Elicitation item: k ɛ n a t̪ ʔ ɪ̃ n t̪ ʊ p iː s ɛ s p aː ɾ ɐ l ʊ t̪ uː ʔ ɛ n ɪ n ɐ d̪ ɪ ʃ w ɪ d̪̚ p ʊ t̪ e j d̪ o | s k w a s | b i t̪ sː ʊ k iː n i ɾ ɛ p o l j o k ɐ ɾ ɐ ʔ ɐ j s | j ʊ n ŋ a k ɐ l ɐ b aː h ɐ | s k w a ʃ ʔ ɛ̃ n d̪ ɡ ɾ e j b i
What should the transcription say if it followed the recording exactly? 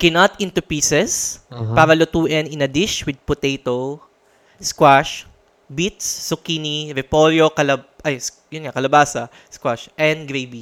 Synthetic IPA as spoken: k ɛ n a t̪ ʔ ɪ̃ n t̪ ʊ p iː s ɛ s p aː ɾ ɐ l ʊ t̪ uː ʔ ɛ n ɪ n ɐ d̪ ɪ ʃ w ɪ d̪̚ p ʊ t̪ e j t̪ o | s k w a ʃ | b i t̪ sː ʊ k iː n i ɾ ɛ p o l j o k ɐ l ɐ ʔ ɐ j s | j ʊ n ŋ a k ɐ l ɐ b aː s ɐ | s k w a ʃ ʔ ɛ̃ n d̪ ɡ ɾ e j b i